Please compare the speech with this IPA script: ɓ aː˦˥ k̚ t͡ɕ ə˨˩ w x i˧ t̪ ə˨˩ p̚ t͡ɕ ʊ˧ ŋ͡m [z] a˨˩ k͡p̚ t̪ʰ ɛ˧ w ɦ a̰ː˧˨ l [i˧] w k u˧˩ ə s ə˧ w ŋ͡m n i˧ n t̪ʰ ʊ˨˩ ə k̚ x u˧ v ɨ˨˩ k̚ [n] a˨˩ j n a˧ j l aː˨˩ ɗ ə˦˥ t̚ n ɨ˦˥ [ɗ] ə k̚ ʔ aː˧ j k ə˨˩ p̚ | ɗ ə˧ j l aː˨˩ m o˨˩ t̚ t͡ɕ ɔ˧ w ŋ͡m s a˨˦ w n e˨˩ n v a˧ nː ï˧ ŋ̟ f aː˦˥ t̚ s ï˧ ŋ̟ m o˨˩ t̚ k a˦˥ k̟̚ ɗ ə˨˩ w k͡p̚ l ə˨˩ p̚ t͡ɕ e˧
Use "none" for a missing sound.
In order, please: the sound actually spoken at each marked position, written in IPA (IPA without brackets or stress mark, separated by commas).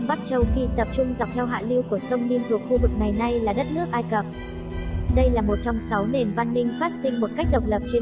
z, i˧, ŋ, none